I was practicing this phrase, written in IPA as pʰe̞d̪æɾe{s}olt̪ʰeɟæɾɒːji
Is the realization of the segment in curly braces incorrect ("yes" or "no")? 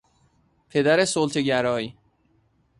no